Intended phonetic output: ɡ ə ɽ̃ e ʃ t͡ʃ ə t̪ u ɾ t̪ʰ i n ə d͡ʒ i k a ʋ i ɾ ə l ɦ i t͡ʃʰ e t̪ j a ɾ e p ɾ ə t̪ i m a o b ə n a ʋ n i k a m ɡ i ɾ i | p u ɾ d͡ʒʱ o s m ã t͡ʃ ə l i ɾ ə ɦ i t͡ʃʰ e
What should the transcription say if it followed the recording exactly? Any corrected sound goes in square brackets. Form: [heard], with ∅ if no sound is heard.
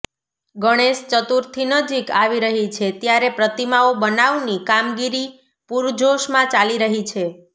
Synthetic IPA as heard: ɡ ə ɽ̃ e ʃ t͡ʃ ə t̪ u ɾ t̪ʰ i n ə d͡ʒ i k a ʋ i ɾ ə [∅] ɦ i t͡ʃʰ e t̪ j a ɾ e p ɾ ə t̪ i m a o b ə n a ʋ n i k a m ɡ i ɾ i | p u ɾ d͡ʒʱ o [ʃ] m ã t͡ʃ [a] l i ɾ ə ɦ i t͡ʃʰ e